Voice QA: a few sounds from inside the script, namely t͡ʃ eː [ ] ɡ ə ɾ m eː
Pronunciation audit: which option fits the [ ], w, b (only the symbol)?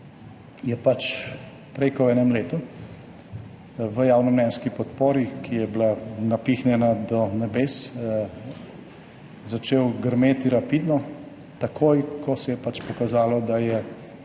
w